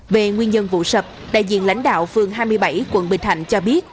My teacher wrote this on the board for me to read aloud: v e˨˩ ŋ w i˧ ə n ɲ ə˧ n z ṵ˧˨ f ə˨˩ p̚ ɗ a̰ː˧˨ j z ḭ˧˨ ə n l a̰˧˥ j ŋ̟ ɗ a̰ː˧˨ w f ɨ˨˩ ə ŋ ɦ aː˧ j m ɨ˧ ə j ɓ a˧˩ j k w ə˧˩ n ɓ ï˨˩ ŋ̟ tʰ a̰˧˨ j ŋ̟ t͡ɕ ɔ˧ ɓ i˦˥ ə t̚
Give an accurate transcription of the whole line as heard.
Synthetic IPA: v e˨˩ ŋ w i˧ ə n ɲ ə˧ n v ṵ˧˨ s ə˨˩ p̚ ɗ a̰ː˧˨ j z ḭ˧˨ ə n l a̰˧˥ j ŋ̟ ɗ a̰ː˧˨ w f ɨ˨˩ ə ŋ ɦ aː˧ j m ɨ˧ ə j ɓ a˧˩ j k w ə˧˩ n ɓ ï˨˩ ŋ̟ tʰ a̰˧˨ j ŋ̟ t͡ɕ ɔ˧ ɓ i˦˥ ə t̚